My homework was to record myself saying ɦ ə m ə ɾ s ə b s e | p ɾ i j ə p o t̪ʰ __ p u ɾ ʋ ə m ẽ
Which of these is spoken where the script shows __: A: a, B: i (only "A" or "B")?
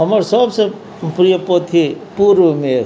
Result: B